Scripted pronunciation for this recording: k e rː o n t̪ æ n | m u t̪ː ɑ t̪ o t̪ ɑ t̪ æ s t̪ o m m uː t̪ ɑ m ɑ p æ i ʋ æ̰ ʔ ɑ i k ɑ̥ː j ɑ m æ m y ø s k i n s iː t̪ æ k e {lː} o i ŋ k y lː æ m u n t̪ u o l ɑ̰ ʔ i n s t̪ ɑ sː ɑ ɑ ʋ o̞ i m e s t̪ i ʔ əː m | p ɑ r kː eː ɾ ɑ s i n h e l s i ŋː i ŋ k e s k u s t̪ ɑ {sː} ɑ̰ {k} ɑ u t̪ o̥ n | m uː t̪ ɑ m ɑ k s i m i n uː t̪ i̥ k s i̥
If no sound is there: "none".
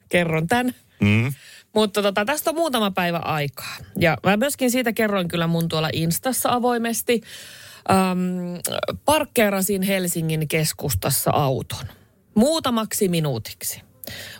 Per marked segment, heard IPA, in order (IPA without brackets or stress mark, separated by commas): rː, sː, ʔ